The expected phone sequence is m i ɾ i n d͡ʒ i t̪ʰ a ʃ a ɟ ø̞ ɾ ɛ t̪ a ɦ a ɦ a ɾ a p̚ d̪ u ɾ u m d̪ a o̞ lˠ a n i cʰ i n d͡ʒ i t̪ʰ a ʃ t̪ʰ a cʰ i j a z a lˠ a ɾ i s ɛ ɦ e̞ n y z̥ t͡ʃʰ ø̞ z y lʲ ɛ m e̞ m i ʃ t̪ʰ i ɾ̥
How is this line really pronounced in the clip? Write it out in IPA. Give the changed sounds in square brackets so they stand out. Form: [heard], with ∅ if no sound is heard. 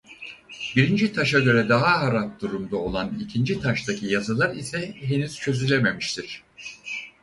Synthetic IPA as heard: [b] i ɾ i n d͡ʒ i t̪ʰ a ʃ a ɟ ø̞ ɾ ɛ [d̪] a ɦ a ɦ a ɾ a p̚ d̪ u ɾ u m d̪ a o̞ lˠ a n i cʰ i n d͡ʒ i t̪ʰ a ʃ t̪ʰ a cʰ i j a z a lˠ a ɾ i s ɛ ɦ e̞ n y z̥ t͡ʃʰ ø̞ z y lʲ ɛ m e̞ m i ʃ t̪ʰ i ɾ̥

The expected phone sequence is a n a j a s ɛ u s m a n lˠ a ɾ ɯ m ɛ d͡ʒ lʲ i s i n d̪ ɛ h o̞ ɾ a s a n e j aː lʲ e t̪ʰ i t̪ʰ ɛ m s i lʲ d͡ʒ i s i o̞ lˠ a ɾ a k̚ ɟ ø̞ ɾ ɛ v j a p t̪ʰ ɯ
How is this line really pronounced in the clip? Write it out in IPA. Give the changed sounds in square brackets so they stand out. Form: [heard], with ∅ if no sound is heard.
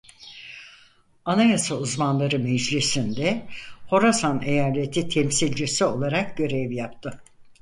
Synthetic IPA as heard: a n a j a s [a] u [z] m a n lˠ a ɾ ɯ m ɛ d͡ʒ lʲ i s i n d̪ ɛ h o̞ ɾ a s a n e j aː lʲ e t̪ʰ i t̪ʰ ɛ m s i lʲ d͡ʒ i s i o̞ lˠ a ɾ a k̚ ɟ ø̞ ɾ ɛ v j a p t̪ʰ ɯ

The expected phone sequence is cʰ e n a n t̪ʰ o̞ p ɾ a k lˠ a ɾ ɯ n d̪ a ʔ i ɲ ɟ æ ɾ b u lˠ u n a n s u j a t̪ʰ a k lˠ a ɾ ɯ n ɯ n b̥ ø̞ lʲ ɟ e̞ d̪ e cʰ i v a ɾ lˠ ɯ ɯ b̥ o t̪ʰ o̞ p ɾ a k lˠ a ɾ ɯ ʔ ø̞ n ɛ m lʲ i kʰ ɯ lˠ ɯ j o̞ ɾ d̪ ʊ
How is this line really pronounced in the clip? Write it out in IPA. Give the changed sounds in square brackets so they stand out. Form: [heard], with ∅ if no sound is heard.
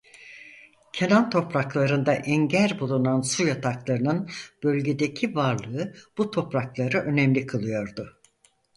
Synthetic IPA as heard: cʰ e n a n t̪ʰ o̞ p ɾ a k lˠ a ɾ ɯ n d̪ a ʔ [ɛ] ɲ ɟ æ ɾ b u lˠ u n a n s u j a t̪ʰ a k lˠ a ɾ ɯ n ɯ n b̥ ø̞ lʲ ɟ e̞ d̪ e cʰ i v a ɾ lˠ ɯ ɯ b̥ [u] t̪ʰ o̞ p ɾ a k lˠ a ɾ ɯ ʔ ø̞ n ɛ m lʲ i kʰ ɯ lˠ ɯ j o̞ ɾ d̪ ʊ

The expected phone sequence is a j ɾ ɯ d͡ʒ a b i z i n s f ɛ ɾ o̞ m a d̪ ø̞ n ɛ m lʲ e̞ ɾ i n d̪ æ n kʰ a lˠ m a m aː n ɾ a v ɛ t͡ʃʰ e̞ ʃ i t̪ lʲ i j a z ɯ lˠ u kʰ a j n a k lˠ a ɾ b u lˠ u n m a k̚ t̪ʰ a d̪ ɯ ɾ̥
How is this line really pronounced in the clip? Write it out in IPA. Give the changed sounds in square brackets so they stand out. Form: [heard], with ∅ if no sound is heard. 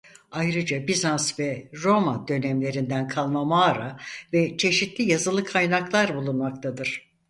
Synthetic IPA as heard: a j ɾ ɯ d͡ʒ a b i z [a] n s [v] ɛ ɾ o̞ m a d̪ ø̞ n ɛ m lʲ e̞ ɾ i n d̪ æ n kʰ a lˠ m a m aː [∅] ɾ a v ɛ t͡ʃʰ e̞ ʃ i t̪ lʲ i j a z ɯ lˠ [ɯ] kʰ a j n a k lˠ a ɾ b u lˠ u n m a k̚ t̪ʰ a d̪ ɯ ɾ̥

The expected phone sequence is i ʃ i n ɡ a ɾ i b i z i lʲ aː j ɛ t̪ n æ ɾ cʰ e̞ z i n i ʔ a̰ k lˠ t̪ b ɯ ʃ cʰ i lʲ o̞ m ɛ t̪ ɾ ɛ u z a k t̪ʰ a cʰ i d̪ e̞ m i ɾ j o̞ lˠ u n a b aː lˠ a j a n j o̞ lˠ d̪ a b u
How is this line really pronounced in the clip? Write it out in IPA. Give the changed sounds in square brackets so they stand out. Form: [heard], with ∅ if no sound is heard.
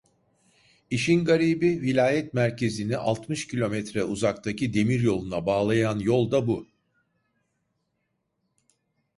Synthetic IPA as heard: i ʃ i n ɡ a ɾ i b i [v] i lʲ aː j ɛ t̪ [m] æ ɾ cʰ e̞ z i n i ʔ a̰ [∅] lˠ t̪ [m] ɯ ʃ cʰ i lʲ o̞ m ɛ t̪ ɾ ɛ u z a k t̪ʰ a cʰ i d̪ e̞ m i ɾ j o̞ lˠ u n a b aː lˠ a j a n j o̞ lˠ d̪ a b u

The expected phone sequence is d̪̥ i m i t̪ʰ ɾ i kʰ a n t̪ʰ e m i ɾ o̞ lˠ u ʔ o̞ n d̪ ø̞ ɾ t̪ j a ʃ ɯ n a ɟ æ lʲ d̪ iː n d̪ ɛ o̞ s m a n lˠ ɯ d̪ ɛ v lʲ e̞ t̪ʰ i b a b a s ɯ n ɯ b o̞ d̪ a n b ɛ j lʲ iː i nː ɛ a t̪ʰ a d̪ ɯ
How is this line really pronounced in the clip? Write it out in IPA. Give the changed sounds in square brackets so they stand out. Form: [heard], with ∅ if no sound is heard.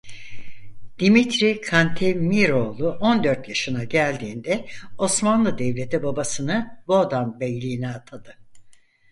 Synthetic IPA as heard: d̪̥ i m i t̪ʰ ɾ i kʰ a n t̪ʰ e m i ɾ o̞ lˠ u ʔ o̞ n d̪ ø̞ ɾ t̪ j a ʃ ɯ n a ɟ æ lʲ d̪ iː n d̪ ɛ o̞ s m a n lˠ ɯ d̪ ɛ v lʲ e̞ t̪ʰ i b a b a s ɯ n ɯ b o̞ d̪ a n b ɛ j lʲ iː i [n] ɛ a t̪ʰ a d̪ ɯ

